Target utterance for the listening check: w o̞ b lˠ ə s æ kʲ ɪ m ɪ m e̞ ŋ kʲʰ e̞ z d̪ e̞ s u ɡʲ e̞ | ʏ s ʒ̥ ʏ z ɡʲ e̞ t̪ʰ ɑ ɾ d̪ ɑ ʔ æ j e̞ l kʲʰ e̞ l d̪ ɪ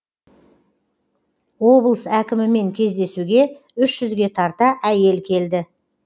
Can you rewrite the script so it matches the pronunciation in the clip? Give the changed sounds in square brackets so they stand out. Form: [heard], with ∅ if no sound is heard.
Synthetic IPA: w o̞ b lˠ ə s æ kʲ ɪ m ɪ m e̞ ŋ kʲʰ e̞ z d̪ e̞ s u ɡʲ e̞ | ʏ [ʃ] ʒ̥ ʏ z ɡʲ e̞ t̪ʰ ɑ ɾ [t̪] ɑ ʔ æ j e̞ l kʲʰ e̞ l d̪ ɪ